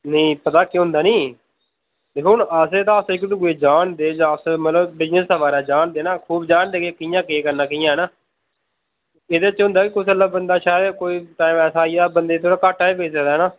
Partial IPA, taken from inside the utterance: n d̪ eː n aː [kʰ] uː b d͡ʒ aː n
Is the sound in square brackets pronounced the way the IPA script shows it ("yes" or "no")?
yes